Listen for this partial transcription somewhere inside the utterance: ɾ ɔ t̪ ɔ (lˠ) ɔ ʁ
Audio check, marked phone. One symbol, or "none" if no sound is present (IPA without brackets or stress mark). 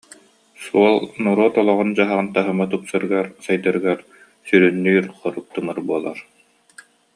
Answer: lˠ